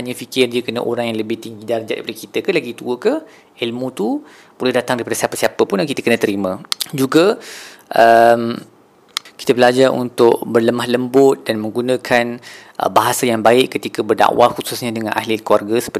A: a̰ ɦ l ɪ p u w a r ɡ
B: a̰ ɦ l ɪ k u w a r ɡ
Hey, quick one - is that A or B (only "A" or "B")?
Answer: B